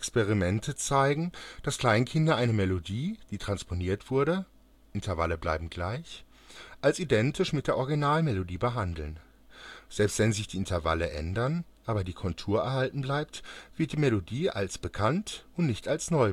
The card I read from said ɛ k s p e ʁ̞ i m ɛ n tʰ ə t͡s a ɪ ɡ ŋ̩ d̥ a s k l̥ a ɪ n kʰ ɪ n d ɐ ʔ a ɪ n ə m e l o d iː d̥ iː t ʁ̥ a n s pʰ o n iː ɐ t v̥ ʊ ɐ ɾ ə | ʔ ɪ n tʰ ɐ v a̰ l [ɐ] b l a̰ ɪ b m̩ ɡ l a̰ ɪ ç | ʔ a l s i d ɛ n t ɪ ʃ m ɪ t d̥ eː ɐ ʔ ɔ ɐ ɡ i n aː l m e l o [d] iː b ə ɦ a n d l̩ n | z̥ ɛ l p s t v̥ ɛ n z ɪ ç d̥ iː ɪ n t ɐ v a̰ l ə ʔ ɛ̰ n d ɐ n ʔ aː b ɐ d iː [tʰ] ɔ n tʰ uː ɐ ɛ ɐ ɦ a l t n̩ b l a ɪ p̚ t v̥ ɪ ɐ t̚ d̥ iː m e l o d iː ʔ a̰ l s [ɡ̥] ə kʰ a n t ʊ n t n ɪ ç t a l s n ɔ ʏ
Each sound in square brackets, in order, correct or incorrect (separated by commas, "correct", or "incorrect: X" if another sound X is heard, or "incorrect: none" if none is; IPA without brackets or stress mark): incorrect: ə, correct, incorrect: kʰ, incorrect: b̥